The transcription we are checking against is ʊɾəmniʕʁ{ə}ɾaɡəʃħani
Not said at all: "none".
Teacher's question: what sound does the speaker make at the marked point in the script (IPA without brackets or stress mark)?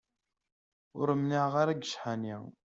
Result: a